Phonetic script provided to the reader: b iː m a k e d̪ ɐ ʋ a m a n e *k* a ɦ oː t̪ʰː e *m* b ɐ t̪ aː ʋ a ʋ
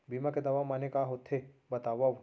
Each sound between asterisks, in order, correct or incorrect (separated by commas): correct, incorrect